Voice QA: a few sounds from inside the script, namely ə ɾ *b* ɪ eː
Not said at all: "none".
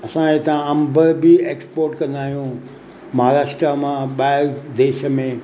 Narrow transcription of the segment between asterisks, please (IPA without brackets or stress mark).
b